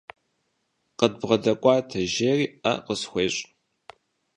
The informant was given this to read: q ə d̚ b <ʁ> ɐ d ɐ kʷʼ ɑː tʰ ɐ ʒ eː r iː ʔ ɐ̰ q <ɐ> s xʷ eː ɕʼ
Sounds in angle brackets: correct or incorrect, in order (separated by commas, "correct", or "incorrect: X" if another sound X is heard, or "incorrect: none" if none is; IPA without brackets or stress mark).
correct, incorrect: ə